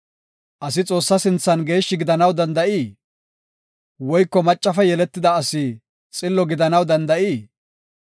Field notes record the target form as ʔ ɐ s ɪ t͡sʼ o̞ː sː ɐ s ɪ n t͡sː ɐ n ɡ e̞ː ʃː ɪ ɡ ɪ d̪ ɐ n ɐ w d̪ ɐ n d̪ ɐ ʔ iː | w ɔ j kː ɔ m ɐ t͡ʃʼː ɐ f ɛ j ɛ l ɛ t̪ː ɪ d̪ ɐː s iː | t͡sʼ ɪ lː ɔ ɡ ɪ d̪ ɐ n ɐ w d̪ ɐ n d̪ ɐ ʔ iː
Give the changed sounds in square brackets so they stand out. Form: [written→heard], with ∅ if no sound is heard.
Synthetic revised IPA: ʔ ɐ s ɪ t͡sʼ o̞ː sː ɐ s ɪ n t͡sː ɐ n ɡ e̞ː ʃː ɪ ɡ ɪ d̪ ɐ n ɐ w d̪ ɐ n d̪ ɐ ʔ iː | w ɔ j kː ɔ m ɐ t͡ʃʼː ɐ f ɛ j ɛ l ɛ t̪ː ɪ d̪ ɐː s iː | t͡sʼ ɪ lː ɔ ɡ ɪ d̪ ɐ n ɐ w d̪ ɐ n d̪ ɐ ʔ iː

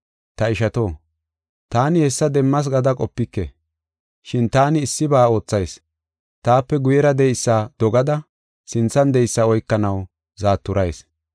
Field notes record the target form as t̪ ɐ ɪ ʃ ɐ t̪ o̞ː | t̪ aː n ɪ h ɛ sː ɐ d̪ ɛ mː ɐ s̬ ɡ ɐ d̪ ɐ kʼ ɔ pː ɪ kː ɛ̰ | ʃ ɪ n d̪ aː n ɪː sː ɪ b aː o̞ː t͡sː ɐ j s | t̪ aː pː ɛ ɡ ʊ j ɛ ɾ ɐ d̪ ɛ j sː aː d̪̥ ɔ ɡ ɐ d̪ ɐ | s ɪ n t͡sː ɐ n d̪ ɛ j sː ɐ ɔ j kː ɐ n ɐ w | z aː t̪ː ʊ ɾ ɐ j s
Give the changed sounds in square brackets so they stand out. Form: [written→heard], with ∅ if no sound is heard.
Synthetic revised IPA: t̪ ɐ ɪ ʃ ɐ t̪ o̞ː | t̪ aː n ɪ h ɛ sː ɐ d̪ ɛ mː ɐ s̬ ɡ ɐ d̪ ɐ kʼ ɔ pː ɪ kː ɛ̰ | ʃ ɪ n [d̪→t̪] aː n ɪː sː ɪ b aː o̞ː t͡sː ɐ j s | t̪ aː pː ɛ ɡ ʊ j ɛ ɾ ɐ d̪ ɛ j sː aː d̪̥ ɔ ɡ ɐ d̪ ɐ | s ɪ n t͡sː ɐ n d̪ ɛ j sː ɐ ɔ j kː ɐ n ɐ w | z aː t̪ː ʊ ɾ ɐ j s

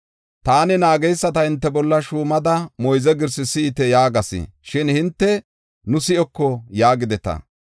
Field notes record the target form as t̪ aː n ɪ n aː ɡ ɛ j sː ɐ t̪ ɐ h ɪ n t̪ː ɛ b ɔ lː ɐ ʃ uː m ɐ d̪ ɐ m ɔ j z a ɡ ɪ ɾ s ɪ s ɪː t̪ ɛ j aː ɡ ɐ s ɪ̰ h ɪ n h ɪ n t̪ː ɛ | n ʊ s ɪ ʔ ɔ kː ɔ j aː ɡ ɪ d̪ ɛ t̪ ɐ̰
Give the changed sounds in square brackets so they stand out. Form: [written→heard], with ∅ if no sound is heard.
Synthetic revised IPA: t̪ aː n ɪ n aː ɡ ɛ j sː ɐ t̪ ɐ h ɪ n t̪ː ɛ b ɔ lː ɐ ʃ uː m ɐ d̪ ɐ m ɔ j z [a→ɛ] ɡ ɪ ɾ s ɪ s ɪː t̪ ɛ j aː ɡ ɐ s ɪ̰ [h→ʃ] ɪ n h ɪ n t̪ː ɛ | n ʊ s ɪ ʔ ɔ kː ɔ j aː ɡ ɪ d̪ ɛ t̪ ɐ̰

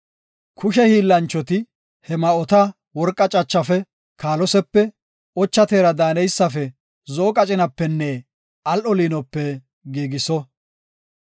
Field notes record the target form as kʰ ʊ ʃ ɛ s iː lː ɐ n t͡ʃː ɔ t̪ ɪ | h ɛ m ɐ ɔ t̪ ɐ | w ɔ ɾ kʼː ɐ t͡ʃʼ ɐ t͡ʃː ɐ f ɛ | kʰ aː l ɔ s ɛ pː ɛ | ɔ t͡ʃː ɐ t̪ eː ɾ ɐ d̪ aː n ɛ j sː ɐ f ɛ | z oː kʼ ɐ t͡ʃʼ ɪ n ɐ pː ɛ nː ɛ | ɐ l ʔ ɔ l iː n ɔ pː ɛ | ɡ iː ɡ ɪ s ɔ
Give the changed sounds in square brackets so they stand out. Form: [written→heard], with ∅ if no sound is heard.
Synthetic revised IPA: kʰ ʊ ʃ ɛ [s→h] iː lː ɐ n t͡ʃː ɔ t̪ ɪ | h ɛ m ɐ ɔ t̪ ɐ | w ɔ ɾ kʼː ɐ t͡ʃʼ ɐ t͡ʃː ɐ f ɛ | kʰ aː l ɔ s ɛ pː ɛ | ɔ t͡ʃː ɐ t̪ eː ɾ ɐ d̪ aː n ɛ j sː ɐ f ɛ | z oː kʼ ɐ t͡ʃʼ ɪ n ɐ pː ɛ nː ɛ | ɐ l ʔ ɔ l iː n ɔ pː ɛ | ɡ iː ɡ ɪ s ɔ

